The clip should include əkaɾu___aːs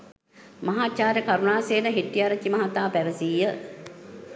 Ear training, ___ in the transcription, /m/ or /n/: n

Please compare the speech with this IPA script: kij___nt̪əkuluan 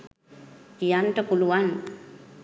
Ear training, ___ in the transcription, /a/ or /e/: a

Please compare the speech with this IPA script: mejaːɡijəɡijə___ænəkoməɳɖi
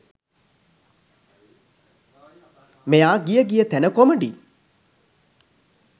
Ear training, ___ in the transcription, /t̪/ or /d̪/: t̪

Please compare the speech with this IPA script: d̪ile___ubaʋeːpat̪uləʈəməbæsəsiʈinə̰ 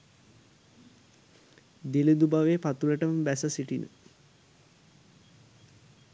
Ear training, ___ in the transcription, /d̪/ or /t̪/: d̪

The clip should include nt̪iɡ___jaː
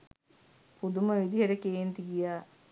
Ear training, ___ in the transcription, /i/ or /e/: i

